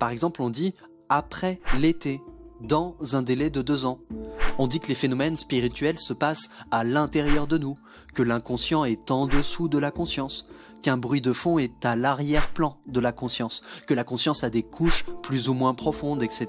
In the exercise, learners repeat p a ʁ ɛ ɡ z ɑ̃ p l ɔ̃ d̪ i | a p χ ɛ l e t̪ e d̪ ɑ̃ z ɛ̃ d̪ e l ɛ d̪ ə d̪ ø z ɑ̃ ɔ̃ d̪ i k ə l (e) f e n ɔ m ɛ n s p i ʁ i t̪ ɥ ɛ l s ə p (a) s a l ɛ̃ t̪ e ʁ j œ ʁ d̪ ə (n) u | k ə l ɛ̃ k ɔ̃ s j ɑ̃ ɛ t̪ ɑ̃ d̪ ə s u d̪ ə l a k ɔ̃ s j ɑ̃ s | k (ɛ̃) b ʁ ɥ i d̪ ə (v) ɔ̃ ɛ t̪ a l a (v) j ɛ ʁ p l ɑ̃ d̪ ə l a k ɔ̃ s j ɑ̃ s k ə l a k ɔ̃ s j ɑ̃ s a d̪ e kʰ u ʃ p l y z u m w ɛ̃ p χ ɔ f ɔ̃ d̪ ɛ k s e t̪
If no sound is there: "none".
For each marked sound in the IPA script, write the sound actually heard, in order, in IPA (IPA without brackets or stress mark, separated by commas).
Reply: e, a, n, ɛ̃, f, ʁ